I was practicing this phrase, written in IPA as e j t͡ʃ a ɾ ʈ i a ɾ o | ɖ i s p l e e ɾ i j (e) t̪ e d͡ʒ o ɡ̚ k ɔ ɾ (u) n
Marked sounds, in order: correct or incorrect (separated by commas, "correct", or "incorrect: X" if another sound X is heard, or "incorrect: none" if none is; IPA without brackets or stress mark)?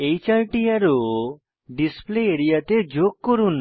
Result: incorrect: a, correct